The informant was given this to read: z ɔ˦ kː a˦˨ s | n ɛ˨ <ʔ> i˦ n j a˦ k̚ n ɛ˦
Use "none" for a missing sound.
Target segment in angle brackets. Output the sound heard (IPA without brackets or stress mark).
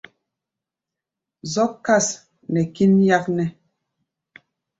k